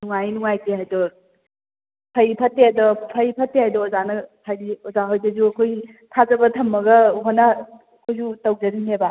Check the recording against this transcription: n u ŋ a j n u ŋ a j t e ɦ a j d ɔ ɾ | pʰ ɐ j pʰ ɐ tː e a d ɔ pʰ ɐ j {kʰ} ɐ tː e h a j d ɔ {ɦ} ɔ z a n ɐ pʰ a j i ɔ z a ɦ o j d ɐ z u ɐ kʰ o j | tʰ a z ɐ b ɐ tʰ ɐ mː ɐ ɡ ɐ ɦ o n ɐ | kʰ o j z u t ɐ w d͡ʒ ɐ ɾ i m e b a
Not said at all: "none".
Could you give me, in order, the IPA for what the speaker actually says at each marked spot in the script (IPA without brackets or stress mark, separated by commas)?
pʰ, none